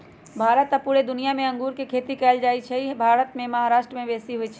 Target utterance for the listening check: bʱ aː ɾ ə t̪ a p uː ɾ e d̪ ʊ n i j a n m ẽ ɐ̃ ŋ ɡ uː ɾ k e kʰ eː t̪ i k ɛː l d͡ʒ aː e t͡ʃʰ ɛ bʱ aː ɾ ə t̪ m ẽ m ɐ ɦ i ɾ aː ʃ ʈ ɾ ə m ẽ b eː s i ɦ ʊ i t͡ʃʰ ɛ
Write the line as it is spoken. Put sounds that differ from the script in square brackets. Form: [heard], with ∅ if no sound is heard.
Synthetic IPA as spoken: bʱ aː ɾ ə t̪ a p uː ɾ e d̪ ʊ n i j a [∅] m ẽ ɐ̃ ŋ ɡ uː ɾ k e kʰ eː t̪ i k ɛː l d͡ʒ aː [i] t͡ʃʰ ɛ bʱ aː ɾ ə t̪ m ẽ m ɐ ɦ [a] ɾ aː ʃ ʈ ɾ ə m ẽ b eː s i ɦ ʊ i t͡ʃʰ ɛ

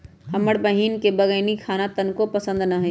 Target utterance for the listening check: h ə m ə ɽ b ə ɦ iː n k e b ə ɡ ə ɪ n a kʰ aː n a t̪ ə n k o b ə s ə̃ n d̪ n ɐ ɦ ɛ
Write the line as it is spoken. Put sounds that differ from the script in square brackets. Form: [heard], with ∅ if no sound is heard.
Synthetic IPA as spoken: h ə m ə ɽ b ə ɦ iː n k e b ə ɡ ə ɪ n [i] kʰ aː n a t̪ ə n k o [p] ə s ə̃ n d̪ n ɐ ɦ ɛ

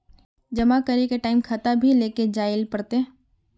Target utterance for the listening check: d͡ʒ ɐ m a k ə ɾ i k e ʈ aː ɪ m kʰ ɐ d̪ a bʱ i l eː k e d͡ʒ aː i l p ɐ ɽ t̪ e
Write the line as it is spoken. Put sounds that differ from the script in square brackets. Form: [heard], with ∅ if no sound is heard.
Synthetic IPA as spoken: d͡ʒ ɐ m a k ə ɾ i k e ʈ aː ɪ m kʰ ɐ [t̪] a bʱ i l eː k e d͡ʒ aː [ɪ] l p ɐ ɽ t̪ e

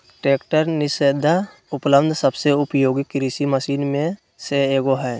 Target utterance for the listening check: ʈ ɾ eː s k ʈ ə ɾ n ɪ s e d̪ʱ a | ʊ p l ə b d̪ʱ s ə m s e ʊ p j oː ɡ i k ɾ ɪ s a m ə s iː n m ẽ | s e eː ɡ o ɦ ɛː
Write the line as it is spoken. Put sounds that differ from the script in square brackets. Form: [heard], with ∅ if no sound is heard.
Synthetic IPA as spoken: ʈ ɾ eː [∅] k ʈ ə ɾ n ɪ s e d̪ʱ a | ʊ p l ə b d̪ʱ s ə [b] s e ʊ p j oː ɡ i k ɾ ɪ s [i] m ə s iː n m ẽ | s e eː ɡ o ɦ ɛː

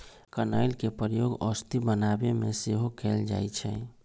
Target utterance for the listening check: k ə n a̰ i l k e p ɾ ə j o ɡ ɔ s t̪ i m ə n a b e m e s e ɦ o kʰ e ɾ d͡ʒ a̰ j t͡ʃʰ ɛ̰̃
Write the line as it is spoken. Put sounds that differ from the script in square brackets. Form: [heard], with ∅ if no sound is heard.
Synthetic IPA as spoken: k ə n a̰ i l k e p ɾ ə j o ɡ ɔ s t̪ i [b] ə n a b e m e s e ɦ o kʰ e [l] d͡ʒ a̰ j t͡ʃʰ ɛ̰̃

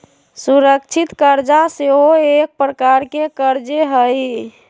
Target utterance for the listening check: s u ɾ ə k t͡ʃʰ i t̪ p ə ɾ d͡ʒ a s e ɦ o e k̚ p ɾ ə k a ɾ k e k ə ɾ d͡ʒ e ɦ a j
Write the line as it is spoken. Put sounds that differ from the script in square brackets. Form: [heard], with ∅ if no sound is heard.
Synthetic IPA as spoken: s u ɾ ə k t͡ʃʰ i t̪ [k] ə ɾ d͡ʒ a s e ɦ o e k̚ p ɾ ə k a ɾ k e k ə ɾ d͡ʒ e ɦ [ə] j

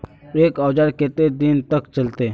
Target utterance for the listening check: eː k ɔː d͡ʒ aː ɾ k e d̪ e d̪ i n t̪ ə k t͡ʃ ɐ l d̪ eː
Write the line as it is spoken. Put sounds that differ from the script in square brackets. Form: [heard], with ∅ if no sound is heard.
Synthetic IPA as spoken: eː k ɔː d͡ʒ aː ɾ k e [t̪] e d̪ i n t̪ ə k t͡ʃ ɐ l [t̪] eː

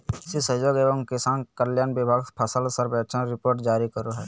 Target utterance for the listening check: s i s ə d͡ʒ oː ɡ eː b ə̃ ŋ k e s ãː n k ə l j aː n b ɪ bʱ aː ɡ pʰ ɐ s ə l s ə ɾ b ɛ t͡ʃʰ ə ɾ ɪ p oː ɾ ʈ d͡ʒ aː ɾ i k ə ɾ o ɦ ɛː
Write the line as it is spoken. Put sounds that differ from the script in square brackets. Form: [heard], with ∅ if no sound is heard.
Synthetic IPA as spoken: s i s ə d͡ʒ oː ɡ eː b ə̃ ŋ k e s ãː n k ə l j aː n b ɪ bʱ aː ɡ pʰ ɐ s ə l s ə ɾ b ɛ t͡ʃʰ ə ɾ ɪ p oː ɾ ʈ d͡ʒ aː ɾ i k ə ɾ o ɦ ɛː

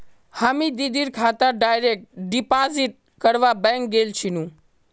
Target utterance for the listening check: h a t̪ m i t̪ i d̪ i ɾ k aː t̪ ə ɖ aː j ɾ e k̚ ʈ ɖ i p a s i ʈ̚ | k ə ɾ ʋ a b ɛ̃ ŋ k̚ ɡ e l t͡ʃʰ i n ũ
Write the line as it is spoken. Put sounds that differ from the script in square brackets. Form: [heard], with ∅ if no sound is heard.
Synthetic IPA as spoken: h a [∅] m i [d̪] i d̪ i ɾ [kʰ] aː t̪ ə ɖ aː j ɾ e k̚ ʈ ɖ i p a [z] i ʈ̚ | k ə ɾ ʋ a b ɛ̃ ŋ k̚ ɡ e l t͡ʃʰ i n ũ

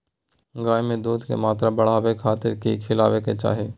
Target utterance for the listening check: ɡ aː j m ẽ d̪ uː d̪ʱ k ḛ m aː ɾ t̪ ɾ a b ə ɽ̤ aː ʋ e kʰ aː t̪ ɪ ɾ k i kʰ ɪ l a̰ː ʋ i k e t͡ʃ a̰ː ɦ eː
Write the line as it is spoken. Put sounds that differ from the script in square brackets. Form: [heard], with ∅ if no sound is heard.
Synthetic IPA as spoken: ɡ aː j m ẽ d̪ uː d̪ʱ k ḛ m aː [∅] t̪ ɾ a b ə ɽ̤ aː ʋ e kʰ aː t̪ ɪ ɾ k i kʰ ɪ l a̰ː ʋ [e] k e t͡ʃ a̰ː ɦ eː

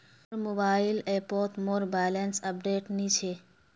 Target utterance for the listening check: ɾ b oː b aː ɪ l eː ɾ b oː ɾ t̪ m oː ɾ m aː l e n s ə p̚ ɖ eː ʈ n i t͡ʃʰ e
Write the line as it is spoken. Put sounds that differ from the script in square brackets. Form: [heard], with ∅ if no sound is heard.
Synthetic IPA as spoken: ɾ [m] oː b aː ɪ l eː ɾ [p] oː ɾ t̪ m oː ɾ [b] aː l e n s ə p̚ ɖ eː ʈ n i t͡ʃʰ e

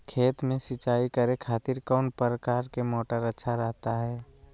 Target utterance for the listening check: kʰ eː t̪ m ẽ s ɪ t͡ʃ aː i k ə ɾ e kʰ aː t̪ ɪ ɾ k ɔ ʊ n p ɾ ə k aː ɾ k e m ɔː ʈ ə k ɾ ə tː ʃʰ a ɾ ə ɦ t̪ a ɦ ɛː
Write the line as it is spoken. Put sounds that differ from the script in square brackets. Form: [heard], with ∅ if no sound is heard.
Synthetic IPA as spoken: kʰ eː t̪ m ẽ s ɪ t͡ʃ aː i k ə ɾ e kʰ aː t̪ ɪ ɾ k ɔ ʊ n p ɾ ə k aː ɾ k e m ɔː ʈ ə [∅] ɾ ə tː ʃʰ a ɾ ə ɦ t̪ a ɦ ɛː

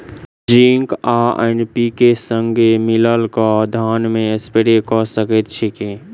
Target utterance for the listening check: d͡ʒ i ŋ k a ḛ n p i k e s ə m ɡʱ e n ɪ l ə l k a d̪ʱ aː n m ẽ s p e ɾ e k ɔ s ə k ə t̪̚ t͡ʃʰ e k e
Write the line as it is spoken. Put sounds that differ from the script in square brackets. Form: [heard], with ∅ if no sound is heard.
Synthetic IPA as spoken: d͡ʒ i ŋ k a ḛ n p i k e s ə [ŋ] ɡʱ e [m] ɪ l ə l k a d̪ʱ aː n m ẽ s p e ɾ e k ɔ s ə k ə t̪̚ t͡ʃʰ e k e

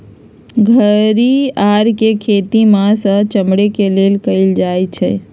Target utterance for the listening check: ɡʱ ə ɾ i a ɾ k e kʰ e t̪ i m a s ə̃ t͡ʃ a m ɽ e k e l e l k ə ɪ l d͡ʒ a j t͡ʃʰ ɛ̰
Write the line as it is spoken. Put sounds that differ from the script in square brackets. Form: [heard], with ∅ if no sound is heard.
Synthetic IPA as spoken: ɡʱ ə ɾ i a ɾ k e kʰ e t̪ i m a s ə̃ t͡ʃ [ə] m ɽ e k e l e l k ə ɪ l d͡ʒ a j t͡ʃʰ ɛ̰

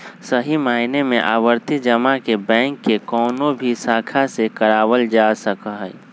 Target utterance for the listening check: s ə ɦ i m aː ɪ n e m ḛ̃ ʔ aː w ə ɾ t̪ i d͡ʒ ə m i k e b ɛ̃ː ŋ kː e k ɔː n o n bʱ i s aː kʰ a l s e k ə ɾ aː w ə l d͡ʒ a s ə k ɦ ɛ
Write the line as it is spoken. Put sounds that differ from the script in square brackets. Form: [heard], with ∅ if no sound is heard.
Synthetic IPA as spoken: s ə ɦ i m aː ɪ n e m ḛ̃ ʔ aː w ə ɾ t̪ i d͡ʒ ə m [a] k e b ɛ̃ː ŋ kː e k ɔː n o [∅] bʱ i s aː kʰ a [∅] s e k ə ɾ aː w ə l d͡ʒ a s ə k ɦ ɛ

